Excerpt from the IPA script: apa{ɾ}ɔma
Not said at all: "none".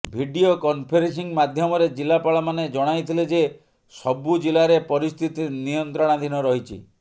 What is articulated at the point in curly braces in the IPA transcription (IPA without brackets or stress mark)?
ɭ